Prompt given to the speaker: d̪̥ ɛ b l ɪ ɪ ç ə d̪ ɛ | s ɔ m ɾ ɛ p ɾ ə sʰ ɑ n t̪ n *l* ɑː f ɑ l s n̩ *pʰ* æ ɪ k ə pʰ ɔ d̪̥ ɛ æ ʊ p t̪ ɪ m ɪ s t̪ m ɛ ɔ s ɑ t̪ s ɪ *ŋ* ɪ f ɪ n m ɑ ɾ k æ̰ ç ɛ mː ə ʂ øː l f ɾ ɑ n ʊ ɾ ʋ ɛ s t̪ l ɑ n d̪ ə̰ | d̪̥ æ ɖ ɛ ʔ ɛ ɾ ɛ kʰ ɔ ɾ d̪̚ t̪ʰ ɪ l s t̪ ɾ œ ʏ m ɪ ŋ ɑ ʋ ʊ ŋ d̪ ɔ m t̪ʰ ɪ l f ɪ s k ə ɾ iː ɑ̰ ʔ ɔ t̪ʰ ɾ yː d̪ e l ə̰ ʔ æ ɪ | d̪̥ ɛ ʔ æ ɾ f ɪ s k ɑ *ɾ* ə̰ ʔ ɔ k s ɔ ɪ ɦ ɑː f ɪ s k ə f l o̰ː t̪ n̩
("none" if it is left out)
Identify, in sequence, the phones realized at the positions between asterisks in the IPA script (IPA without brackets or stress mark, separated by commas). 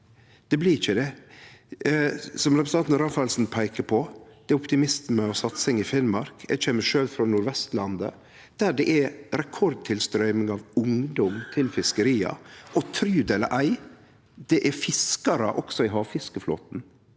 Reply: ɾ, pʰ, ŋ, ɾ